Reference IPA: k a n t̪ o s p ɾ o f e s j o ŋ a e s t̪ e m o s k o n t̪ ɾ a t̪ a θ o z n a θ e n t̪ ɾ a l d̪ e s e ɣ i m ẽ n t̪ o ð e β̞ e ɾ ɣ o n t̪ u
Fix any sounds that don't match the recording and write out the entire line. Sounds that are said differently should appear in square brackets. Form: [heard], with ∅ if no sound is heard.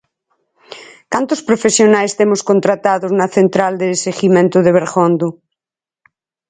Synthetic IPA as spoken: k a n t̪ o s p ɾ o f e s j o [n] a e s t̪ e m o s k o n t̪ ɾ a t̪ a [ð] o z n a θ e n t̪ ɾ a l d̪ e s e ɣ i m ẽ n t̪ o ð e β̞ e ɾ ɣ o n [d̪] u